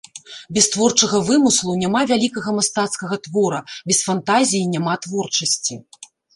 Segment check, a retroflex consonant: present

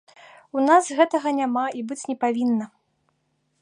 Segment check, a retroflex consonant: absent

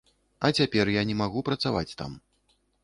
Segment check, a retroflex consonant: absent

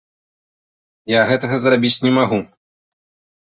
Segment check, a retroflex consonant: absent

